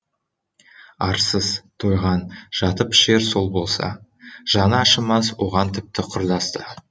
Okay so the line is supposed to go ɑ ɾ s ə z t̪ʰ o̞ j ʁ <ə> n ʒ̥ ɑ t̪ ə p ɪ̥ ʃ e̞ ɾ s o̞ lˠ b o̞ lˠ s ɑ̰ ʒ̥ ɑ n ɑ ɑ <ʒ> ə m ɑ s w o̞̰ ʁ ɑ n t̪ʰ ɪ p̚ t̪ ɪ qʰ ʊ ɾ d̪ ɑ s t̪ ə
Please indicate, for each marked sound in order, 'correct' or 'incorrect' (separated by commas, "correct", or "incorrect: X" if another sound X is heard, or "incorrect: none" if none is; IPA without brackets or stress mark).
incorrect: ɑ, incorrect: ʃ